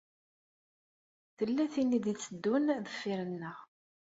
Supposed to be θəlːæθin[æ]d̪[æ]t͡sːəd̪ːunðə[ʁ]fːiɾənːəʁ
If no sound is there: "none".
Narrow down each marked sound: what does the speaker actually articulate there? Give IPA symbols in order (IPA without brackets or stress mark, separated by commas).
i, i, none